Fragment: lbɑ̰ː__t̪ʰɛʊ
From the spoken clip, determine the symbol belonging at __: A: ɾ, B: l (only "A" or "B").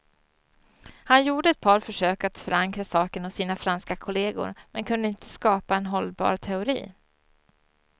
A